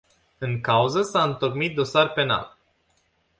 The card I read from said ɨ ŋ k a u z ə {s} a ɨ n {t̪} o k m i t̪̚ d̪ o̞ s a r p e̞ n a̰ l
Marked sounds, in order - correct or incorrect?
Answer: correct, correct

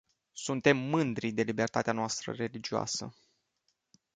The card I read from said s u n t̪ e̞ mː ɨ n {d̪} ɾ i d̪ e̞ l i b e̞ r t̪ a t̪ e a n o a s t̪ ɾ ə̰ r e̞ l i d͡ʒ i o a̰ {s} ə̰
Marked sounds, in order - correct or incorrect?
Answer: correct, correct

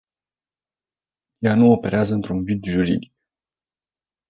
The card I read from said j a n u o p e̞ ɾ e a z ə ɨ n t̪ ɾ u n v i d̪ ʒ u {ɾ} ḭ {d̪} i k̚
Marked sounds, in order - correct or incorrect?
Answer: correct, correct

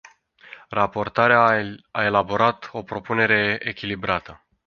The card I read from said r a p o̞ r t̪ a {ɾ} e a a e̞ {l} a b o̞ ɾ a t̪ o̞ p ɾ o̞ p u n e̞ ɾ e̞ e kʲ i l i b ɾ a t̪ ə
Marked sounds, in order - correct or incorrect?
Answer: correct, correct

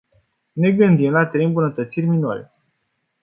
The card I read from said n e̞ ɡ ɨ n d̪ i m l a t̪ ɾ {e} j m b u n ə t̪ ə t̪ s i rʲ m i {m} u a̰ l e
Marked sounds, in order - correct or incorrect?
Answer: correct, incorrect: n

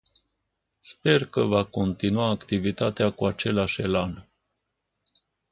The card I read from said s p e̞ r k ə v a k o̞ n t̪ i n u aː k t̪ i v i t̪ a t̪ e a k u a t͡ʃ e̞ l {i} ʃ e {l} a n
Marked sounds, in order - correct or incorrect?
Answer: incorrect: a, correct

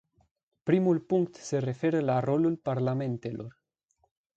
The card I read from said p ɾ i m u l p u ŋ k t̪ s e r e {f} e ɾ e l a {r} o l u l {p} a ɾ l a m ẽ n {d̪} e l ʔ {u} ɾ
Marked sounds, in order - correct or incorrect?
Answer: correct, correct, correct, incorrect: t̪, incorrect: o

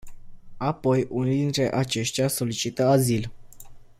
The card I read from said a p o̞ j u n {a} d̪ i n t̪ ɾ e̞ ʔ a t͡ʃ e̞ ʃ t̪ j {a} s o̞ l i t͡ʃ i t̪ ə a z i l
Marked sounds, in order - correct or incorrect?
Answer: incorrect: i, correct

